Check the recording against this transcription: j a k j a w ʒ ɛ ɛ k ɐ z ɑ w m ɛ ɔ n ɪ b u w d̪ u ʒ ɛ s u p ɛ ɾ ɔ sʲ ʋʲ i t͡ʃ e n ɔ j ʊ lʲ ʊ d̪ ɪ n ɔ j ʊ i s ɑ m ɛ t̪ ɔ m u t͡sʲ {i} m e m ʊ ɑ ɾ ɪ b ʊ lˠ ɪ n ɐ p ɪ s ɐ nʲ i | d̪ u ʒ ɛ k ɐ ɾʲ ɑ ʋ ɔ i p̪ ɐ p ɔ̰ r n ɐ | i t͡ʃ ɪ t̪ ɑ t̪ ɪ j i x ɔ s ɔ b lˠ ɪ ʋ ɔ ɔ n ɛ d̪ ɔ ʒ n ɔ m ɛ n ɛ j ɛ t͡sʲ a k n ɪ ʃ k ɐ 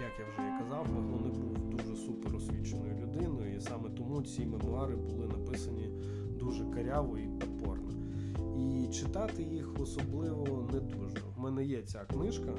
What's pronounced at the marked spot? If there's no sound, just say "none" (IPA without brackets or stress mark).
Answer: i